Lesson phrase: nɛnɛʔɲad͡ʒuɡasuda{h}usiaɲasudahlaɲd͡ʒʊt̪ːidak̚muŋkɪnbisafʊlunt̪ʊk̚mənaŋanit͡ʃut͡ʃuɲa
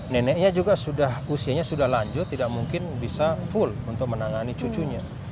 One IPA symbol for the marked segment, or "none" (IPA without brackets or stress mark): h